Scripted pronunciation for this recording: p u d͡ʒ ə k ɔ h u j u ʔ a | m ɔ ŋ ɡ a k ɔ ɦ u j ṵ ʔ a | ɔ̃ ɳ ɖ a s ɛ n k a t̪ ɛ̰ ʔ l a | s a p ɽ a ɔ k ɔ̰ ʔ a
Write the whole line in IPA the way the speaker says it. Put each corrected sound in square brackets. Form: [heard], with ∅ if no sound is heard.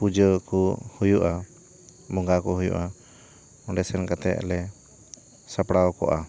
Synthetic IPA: p u d͡ʒ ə k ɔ h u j u ʔ a | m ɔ ŋ ɡ a k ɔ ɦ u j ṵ ʔ a | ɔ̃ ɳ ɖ [ɛ] s ɛ n k a t̪ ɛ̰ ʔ l [ɛ] | s a p ɽ a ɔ k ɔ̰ ʔ a